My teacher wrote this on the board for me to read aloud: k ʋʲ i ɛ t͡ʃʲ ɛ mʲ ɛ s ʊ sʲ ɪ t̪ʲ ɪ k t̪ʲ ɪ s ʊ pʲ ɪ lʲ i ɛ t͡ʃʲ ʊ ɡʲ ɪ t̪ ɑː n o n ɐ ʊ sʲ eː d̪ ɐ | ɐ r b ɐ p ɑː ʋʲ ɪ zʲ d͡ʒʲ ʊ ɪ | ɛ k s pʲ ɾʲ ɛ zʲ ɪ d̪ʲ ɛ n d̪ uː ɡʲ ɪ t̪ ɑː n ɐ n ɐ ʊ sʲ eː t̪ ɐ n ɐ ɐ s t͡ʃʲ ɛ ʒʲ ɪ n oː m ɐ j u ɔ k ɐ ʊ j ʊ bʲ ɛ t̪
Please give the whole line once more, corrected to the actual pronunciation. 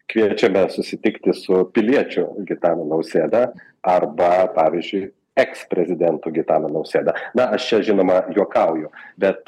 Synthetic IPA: k ʋʲ i ɛ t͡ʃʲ ɛ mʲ ɛ s ʊ sʲ ɪ t̪ʲ ɪ k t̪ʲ ɪ s ʊ pʲ ɪ lʲ i ɛ t͡ʃʲ ʊ ɡʲ ɪ t̪ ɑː n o n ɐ ʊ sʲ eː d̪ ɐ | ɐ r b ɐ p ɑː ʋʲ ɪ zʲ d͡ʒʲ ʊ ɪ | ɛ k s pʲ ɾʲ ɛ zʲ ɪ d̪ʲ ɛ n t̪ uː ɡʲ ɪ t̪ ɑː n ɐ n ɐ ʊ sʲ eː d̪ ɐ n ɐ ɐ ʃ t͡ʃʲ ɛ ʒʲ ɪ n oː m ɐ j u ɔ k ɐ ʊ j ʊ bʲ ɛ t̪